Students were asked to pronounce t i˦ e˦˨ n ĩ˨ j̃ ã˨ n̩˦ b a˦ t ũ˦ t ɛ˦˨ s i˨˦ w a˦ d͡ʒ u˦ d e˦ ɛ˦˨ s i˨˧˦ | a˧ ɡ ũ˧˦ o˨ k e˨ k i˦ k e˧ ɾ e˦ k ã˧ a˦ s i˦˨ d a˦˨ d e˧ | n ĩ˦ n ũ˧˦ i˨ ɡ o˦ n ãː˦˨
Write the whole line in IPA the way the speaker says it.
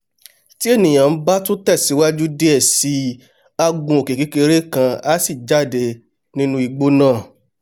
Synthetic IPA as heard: t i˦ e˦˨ n ĩ˨ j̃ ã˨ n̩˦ b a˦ t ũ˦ t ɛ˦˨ s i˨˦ w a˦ d͡ʒ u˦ d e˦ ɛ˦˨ s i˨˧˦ | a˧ ɡ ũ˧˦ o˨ k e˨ k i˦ k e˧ ɾ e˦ k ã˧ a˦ s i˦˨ d͡ʒ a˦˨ d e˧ | n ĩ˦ n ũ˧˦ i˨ ɡ͡b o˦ n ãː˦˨